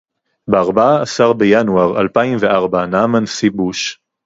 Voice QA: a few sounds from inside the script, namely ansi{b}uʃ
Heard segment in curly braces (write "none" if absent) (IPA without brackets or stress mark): b